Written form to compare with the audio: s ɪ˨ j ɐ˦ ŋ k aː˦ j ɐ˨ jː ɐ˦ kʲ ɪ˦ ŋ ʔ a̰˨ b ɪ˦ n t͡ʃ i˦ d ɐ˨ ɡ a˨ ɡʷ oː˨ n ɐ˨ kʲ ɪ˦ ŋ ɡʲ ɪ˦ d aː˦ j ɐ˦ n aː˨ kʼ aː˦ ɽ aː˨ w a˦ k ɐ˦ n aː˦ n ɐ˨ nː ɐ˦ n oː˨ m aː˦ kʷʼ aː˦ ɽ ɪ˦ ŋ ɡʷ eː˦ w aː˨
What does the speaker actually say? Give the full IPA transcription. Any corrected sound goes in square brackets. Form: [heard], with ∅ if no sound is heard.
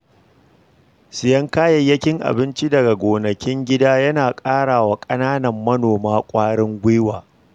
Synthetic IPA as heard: s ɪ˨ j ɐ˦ ŋ k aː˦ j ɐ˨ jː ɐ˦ kʲ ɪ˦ ŋ ʔ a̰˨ b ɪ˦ n t͡ʃ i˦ d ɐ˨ ɡ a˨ ɡʷ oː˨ n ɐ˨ kʲ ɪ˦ ŋ ɡʲ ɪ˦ d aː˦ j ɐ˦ n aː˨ kʼ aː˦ ɽ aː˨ w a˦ [kʼ] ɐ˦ n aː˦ n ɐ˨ [mː] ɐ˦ n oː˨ m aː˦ kʷʼ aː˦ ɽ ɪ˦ ŋ ɡʷ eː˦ w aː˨